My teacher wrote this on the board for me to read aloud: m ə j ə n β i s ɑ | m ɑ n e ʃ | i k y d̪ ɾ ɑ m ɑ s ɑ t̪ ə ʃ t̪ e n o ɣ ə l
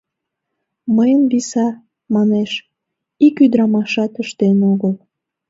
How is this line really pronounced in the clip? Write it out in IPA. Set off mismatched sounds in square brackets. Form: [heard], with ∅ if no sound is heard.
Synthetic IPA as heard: m ə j ə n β i s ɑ | m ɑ n e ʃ | i k y d̪ ɾ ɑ m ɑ [ʃ] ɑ t̪ ə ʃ t̪ e n o ɣ ə l